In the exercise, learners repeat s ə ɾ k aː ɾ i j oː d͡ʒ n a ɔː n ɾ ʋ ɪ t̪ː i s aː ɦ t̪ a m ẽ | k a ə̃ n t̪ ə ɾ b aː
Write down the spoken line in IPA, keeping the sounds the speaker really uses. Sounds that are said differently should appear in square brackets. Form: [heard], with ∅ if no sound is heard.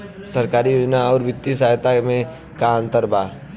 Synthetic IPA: s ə ɾ k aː ɾ i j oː d͡ʒ n a ɔː [∅] ɾ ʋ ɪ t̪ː i s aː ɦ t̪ a m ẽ | k a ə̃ n t̪ ə ɾ b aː